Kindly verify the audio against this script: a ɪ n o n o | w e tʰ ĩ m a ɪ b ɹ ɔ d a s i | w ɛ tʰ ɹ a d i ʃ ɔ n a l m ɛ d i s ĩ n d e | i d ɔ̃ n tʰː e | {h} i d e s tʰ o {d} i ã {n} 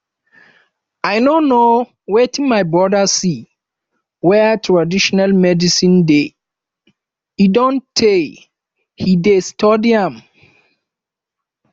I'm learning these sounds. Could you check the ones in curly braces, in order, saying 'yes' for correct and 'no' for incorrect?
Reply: yes, yes, no

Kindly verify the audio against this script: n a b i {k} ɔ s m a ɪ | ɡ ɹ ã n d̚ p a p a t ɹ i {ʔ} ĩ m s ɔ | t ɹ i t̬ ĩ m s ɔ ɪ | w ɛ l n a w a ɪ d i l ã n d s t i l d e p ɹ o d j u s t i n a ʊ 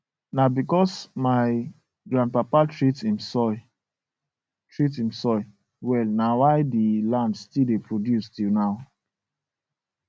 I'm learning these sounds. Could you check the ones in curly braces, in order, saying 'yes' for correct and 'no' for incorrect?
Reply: yes, no

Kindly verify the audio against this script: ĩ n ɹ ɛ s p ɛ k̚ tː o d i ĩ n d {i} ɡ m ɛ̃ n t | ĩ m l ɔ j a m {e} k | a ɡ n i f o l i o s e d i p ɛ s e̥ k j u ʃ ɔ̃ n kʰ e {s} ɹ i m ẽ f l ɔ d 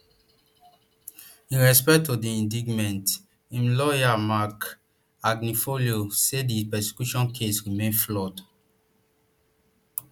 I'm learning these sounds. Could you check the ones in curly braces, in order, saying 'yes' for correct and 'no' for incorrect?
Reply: yes, no, yes

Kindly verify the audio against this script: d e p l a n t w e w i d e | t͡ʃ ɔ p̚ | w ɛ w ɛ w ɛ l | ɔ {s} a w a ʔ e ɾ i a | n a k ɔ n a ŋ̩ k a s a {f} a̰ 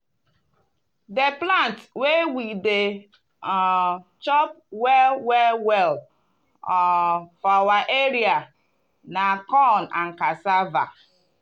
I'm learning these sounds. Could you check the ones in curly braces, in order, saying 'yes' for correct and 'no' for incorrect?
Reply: no, no

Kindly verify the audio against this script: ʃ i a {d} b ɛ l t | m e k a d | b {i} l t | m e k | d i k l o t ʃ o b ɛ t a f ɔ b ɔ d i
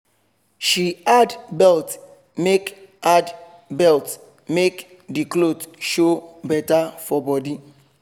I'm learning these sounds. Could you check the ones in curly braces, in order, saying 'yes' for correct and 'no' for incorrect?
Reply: yes, no

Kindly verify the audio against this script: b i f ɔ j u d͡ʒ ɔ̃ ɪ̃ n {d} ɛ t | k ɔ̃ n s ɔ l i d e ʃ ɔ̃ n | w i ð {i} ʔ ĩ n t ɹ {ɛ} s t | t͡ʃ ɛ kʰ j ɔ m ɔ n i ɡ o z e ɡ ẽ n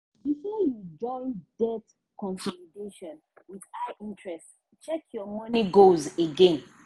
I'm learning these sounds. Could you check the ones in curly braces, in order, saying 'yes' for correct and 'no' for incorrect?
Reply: yes, no, yes

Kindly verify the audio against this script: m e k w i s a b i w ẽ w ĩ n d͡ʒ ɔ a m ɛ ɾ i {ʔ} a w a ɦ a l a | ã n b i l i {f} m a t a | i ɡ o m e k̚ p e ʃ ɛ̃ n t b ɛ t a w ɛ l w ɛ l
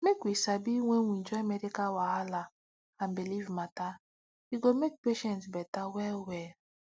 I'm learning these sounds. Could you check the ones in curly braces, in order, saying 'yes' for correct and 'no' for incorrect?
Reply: no, no

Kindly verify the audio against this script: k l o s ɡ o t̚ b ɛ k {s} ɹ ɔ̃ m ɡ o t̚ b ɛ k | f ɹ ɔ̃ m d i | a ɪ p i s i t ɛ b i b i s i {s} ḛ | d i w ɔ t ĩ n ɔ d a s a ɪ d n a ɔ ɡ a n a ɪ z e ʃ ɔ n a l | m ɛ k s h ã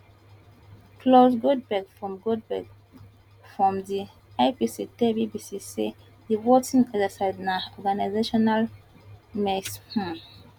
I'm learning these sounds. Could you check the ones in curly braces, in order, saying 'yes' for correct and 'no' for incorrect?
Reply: no, yes

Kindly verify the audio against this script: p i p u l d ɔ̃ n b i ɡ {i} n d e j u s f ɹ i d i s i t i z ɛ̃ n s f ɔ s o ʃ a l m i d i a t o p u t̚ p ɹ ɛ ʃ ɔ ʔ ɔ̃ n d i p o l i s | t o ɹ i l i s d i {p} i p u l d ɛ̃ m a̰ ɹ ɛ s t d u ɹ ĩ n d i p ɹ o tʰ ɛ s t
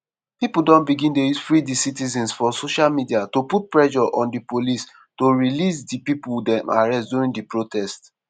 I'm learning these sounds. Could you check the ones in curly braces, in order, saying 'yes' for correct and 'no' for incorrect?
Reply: no, yes

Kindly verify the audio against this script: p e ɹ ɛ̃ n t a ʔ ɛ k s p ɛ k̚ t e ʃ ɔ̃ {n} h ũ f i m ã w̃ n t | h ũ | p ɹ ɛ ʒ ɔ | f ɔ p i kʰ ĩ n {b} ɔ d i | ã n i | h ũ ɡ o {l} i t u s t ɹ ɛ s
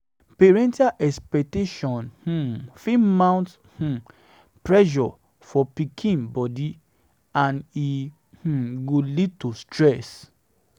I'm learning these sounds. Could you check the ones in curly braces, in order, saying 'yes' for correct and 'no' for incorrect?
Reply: yes, yes, yes

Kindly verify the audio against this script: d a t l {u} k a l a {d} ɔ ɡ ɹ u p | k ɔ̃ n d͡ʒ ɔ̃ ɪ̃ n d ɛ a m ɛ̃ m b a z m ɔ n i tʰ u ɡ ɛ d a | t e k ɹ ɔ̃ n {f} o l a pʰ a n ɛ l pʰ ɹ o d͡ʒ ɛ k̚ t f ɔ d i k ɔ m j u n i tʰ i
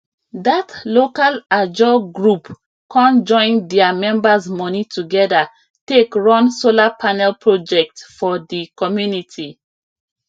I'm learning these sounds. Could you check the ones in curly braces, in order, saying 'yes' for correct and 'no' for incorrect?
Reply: no, no, no

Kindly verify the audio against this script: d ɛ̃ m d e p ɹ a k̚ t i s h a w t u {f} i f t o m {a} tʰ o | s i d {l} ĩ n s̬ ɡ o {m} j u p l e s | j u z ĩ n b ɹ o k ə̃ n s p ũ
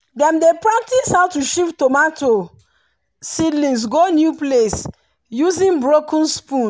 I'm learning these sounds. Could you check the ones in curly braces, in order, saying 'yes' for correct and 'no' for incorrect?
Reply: no, yes, yes, no

